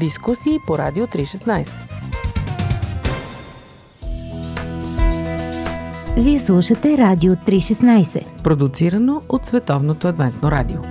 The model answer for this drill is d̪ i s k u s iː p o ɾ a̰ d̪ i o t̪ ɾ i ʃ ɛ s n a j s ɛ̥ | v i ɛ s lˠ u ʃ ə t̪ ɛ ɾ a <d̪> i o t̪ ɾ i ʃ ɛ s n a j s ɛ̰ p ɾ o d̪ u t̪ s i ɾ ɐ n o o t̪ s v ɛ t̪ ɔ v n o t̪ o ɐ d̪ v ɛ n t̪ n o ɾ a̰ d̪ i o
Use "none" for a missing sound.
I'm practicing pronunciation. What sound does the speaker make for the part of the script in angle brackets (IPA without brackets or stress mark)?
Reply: d̪